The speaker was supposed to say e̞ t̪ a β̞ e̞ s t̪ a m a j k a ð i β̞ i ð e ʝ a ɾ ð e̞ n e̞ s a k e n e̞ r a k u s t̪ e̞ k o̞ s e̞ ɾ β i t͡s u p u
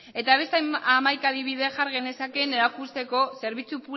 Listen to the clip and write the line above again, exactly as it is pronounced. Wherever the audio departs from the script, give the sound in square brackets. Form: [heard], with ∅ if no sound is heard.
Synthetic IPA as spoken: e̞ t̪ a β̞ e̞ s t̪ a m a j k a ð i β̞ i ð e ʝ a ɾ [ɣ] e̞ n e̞ s a k e n e̞ [ɾ] a k u s t̪ e̞ k o̞ s e̞ ɾ β i t͡s u p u